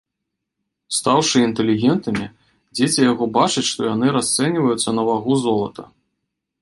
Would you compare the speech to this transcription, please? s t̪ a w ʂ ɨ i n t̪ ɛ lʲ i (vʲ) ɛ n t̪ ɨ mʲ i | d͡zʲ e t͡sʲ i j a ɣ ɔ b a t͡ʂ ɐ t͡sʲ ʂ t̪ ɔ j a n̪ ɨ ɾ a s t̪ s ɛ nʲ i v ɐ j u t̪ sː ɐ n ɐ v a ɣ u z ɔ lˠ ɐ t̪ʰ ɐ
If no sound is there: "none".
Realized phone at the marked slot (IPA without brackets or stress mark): ɣʲ